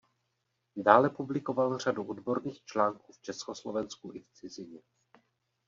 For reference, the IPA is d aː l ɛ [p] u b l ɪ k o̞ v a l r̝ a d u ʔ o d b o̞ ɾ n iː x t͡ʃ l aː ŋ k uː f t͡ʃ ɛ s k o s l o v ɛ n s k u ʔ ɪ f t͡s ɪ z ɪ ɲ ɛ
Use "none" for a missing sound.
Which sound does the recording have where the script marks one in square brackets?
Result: p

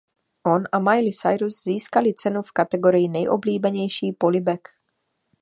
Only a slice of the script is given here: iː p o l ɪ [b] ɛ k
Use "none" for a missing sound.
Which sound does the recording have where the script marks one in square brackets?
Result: b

